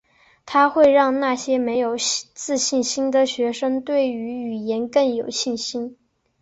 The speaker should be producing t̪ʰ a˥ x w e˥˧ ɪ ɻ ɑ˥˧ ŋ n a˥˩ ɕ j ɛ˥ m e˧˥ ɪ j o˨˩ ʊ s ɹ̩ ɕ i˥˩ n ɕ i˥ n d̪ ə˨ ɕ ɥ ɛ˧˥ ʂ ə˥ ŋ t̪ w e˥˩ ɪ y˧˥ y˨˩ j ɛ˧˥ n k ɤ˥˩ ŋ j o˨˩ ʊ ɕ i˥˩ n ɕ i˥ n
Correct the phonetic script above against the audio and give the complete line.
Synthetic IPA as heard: t̪ʰ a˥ x w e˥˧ ɪ ɻ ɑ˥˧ ŋ n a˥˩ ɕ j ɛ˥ m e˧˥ ɪ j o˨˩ ʊ t͡s ɹ̩ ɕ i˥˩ n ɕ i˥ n d̪ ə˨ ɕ ɥ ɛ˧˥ ʂ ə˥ ŋ t̪ w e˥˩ ɪ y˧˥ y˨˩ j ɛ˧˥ n k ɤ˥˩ ŋ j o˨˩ ʊ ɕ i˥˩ n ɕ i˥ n